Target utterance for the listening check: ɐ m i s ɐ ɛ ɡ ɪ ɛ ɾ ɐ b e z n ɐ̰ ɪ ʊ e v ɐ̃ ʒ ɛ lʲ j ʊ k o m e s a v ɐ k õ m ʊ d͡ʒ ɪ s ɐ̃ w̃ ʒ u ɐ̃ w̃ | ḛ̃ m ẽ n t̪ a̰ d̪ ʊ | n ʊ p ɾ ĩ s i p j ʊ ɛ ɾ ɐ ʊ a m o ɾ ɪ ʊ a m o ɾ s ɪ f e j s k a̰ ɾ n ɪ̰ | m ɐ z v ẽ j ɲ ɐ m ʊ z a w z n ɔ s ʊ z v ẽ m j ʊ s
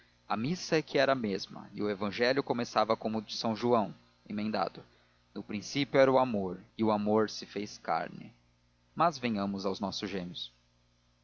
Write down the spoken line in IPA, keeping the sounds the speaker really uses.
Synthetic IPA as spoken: ɐ m i s ɐ ɛ k ɪ ɛ ɾ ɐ m e z m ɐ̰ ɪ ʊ e v ɐ̃ ʒ ɛ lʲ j ʊ k o m e s a v ɐ k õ m ʊ d͡ʒ ɪ s ɐ̃ w̃ ʒ u ɐ̃ w̃ | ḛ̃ m ẽ n d̪ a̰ d̪ ʊ | n ʊ p ɾ ĩ s i p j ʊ ɛ ɾ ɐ ʊ a m o ɾ ɪ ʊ a m o ɾ s ɪ f e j s k a̰ ɾ n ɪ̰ | m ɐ z v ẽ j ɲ ɐ̃ m ʊ z a w z n ɔ s ʊ z ʒ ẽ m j ʊ s